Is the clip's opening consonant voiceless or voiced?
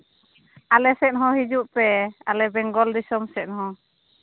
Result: voiced